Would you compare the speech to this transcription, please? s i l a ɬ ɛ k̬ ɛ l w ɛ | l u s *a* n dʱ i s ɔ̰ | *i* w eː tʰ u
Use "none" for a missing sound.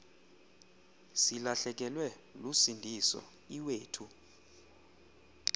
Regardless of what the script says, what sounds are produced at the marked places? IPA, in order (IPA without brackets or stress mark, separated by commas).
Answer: i, i